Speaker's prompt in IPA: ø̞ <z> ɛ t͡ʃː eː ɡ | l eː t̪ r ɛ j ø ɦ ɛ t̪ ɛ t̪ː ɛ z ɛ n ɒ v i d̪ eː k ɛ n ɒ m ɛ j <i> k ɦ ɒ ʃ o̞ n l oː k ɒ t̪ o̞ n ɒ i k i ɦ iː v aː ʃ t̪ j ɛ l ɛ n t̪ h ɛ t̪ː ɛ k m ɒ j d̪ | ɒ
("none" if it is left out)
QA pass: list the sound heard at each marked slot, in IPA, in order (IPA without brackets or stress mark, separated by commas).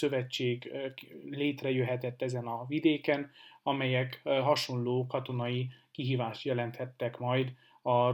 v, ɛ